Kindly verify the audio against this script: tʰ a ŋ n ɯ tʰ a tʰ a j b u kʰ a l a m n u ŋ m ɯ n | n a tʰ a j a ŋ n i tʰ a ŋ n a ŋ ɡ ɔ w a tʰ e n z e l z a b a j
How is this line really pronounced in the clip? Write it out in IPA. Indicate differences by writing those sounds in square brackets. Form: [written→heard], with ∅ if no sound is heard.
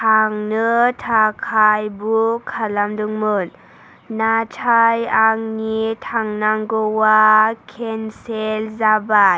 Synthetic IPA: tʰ a ŋ n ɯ tʰ a [tʰ→kʰ] a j b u kʰ a l a m [n→d] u ŋ m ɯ n | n a tʰ a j a ŋ n i tʰ a ŋ n a ŋ ɡ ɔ w a [tʰ→kʰ] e n [z→s] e l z a b a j